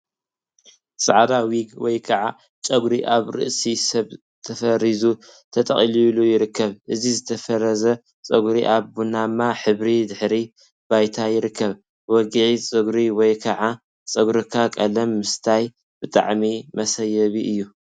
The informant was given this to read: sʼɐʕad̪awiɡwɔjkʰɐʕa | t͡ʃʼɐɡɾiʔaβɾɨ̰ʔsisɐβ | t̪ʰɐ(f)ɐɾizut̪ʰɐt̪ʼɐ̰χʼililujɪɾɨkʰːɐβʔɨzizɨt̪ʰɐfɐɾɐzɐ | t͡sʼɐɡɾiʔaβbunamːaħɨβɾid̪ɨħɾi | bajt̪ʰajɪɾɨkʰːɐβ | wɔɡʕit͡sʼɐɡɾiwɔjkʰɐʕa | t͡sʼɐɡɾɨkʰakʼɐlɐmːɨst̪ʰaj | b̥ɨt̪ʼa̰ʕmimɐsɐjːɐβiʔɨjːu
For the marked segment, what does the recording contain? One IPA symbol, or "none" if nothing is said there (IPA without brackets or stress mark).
f